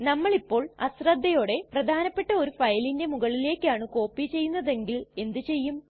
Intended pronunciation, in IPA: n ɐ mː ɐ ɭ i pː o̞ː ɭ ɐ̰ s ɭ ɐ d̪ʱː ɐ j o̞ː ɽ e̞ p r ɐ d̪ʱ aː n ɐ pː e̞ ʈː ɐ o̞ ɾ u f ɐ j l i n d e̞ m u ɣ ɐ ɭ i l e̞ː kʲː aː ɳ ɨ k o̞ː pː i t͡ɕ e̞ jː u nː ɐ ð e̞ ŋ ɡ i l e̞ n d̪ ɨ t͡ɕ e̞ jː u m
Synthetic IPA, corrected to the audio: n ɐ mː ɐ ɭ i pː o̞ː ɭ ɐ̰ s r ɐ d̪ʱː ɐ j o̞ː ɽ e̞ p r ɐ d̪ʱ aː n ɐ pː e̞ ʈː ɐ o̞ ɾ u f ɐ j l i n d e̞ m u ɣ ɐ ɭ i l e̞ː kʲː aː ɳ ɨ k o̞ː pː i t͡ɕ e̞ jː u nː ɐ ð e̞ ŋ ɡ i l e̞ n d̪ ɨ t͡ɕ e̞ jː u m